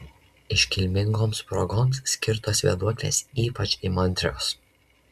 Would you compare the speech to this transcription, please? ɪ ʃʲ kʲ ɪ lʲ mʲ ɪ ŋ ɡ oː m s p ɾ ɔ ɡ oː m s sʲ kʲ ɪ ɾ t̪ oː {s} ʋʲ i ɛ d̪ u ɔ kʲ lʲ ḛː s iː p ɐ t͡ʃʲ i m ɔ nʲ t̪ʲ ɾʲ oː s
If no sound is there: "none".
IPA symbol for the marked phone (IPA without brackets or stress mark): s